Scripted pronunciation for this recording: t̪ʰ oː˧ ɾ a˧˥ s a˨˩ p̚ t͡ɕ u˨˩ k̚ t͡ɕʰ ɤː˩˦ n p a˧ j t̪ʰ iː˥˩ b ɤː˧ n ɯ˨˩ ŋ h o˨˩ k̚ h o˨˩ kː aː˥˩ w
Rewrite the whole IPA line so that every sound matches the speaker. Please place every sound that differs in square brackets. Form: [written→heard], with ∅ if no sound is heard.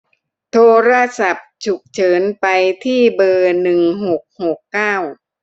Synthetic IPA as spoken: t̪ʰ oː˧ ɾ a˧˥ s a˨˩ p̚ [t͡ɕ→t͡ɕʰ] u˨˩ k̚ t͡ɕʰ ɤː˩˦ n p a˧ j t̪ʰ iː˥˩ b ɤː˧ n ɯ˨˩ ŋ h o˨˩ k̚ h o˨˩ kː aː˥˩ w